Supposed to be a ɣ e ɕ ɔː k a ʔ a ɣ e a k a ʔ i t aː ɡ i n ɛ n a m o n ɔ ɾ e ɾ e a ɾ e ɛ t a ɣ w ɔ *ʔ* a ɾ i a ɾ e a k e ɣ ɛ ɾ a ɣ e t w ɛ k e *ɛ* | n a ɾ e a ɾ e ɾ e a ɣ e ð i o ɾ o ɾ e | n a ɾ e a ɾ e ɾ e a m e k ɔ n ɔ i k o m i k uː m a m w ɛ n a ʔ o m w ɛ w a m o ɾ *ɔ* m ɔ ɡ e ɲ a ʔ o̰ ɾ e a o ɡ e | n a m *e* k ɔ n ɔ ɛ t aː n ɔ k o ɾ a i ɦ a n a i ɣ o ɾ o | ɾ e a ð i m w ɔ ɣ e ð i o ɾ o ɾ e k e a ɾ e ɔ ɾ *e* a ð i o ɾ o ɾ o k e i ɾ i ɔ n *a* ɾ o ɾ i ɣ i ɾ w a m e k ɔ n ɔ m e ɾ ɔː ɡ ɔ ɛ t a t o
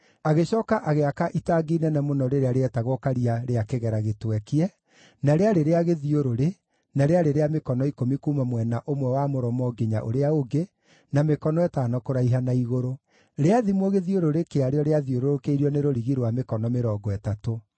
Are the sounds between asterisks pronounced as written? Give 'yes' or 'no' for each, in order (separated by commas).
no, yes, yes, yes, yes, no